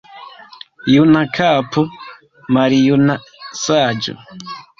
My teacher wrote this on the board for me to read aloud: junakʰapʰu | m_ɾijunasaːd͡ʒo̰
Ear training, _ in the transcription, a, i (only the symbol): a